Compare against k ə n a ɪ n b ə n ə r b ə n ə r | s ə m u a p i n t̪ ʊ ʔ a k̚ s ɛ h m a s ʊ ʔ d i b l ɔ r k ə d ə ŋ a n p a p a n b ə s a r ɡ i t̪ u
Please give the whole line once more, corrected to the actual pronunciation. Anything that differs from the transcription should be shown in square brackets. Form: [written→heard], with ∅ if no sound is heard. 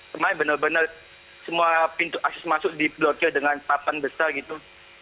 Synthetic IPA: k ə [n→m] a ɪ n b ə n ə r b ə n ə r | s ə m u a p i n t̪ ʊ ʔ a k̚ s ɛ [h→s] m a s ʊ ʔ d i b l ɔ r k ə d ə ŋ a n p a p a n b ə s a r ɡ i t̪ u